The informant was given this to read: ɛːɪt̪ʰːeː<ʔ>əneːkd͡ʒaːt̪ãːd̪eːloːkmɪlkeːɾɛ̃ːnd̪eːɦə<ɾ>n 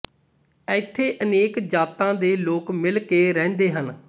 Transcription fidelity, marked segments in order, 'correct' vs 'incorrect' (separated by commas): correct, incorrect